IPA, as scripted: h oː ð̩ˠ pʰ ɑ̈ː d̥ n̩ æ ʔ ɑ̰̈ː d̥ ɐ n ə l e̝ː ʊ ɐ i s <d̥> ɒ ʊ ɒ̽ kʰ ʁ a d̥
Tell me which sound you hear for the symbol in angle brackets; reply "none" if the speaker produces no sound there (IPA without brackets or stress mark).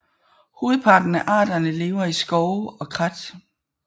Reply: ɡ̥